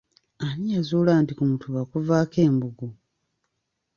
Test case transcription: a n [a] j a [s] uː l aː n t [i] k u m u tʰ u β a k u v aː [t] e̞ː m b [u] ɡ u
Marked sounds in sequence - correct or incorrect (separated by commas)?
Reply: incorrect, incorrect, correct, incorrect, correct